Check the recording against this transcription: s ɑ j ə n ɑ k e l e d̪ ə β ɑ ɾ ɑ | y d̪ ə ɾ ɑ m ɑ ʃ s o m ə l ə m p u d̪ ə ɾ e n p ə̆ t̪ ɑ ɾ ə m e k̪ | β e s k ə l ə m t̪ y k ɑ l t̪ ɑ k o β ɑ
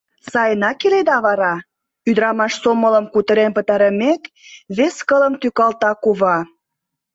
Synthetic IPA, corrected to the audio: s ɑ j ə n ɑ k e l e d̪ ɑ β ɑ ɾ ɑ | y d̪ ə ɾ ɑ m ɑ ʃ s o m ə l ə m k u t̪ ə ɾ e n p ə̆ t̪ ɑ ɾ ə m e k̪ | β e s k ə l ə m t̪ y k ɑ l t̪ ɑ k u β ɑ